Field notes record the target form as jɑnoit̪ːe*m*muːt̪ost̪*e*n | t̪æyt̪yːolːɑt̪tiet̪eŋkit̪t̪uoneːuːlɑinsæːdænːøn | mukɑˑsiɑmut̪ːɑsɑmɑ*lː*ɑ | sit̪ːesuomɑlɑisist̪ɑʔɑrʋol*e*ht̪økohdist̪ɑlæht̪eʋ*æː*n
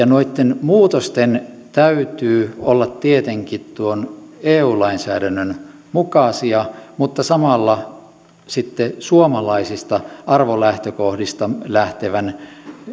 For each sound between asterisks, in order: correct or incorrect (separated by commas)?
incorrect, correct, correct, incorrect, incorrect